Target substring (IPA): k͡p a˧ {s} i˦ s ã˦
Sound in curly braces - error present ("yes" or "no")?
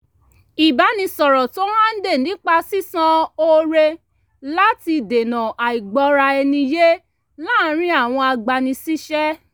no